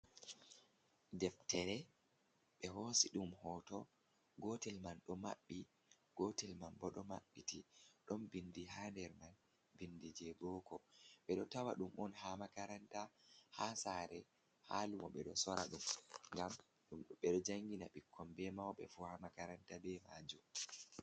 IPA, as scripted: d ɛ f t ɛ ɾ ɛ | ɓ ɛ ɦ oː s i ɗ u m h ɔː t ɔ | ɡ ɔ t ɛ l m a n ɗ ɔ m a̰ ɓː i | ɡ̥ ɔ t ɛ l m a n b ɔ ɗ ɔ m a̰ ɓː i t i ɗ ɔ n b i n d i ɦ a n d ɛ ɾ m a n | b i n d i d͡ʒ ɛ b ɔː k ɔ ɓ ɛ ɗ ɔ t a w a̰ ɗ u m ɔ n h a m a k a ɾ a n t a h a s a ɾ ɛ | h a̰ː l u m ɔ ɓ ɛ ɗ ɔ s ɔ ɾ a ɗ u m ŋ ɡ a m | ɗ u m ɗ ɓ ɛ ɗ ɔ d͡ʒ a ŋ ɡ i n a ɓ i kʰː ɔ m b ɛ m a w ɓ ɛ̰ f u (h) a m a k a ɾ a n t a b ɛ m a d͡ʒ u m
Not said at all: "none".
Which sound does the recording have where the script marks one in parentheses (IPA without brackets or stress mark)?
h